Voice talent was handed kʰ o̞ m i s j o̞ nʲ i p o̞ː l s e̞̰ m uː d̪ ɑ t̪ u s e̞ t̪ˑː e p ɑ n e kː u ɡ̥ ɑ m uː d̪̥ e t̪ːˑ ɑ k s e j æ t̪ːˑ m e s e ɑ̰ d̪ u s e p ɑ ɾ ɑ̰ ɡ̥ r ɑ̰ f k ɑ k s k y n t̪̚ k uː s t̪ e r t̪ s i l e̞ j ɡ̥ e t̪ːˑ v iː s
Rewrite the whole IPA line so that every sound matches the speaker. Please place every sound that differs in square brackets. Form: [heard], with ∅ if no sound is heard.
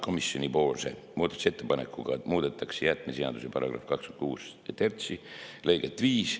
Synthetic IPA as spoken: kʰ o̞ m i s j o̞ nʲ i p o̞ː l s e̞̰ m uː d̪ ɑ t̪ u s e̞ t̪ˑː e p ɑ n e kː u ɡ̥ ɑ m uː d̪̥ e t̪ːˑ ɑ k s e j æ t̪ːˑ m e s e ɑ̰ d̪ u s e p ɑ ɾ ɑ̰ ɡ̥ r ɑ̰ f k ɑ k s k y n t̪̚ k uː s t̪ e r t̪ s i l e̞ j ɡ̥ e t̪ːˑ v iː s